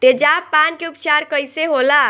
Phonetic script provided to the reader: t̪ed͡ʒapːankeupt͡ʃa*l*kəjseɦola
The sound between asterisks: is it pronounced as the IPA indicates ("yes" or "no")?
no